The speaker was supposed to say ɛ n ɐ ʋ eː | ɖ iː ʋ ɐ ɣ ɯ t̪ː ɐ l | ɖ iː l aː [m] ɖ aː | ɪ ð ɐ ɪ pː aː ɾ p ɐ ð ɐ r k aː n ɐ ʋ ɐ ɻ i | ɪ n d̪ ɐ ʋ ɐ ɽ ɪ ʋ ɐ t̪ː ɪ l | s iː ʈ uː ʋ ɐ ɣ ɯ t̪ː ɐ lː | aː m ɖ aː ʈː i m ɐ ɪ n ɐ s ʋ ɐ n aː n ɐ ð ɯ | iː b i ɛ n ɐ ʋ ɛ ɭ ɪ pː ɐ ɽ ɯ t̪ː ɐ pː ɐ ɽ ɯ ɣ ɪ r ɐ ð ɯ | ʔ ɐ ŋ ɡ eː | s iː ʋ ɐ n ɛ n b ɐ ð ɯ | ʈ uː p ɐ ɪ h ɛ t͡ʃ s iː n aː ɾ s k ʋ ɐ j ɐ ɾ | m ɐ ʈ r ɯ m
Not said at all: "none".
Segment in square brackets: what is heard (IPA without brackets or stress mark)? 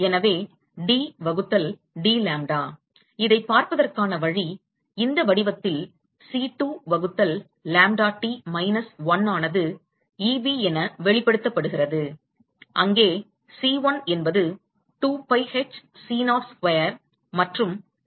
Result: m